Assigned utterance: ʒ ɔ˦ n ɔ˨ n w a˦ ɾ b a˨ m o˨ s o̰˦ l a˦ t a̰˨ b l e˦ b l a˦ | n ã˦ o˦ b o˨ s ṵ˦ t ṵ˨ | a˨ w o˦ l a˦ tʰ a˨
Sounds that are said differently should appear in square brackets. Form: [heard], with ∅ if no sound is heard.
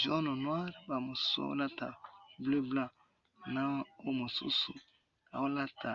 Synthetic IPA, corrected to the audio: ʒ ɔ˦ n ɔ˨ n w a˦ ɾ b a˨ m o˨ s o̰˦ l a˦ t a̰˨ b l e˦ b l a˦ | n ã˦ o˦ [m] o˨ s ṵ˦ [s] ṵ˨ | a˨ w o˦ l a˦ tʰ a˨